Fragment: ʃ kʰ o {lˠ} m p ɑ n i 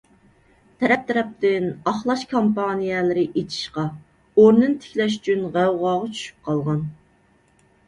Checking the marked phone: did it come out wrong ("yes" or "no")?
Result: yes